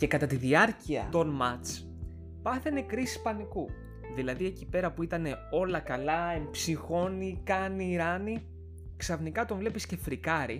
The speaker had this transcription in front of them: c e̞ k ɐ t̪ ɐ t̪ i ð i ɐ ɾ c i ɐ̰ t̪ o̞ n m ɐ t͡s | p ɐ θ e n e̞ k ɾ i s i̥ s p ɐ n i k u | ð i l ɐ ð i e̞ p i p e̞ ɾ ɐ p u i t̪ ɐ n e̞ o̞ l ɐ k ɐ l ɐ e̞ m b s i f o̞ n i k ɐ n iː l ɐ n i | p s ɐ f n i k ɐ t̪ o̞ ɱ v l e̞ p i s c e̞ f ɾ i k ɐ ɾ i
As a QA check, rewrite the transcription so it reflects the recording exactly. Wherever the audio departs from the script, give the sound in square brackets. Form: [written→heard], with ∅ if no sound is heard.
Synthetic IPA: c e̞ k ɐ t̪ ɐ t̪ i ð i ɐ ɾ c i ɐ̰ t̪ o̞ n m ɐ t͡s | p ɐ θ e n e̞ k ɾ i s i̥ s p ɐ n i k u | ð i l ɐ ð i e̞ [p→c] i p e̞ ɾ ɐ p u i t̪ ɐ n e̞ o̞ l ɐ k ɐ l ɐ e̞ m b s i [f→x] o̞ n i k ɐ n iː [l→ɾ] ɐ n i | [p→k] s ɐ f n i k ɐ t̪ o̞ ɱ v l e̞ p i s c e̞ f ɾ i k ɐ ɾ i